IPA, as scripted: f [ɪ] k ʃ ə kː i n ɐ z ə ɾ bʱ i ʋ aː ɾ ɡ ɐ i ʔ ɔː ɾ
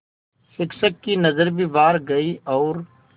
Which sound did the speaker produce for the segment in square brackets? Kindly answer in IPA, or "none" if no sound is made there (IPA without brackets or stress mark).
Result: ɪ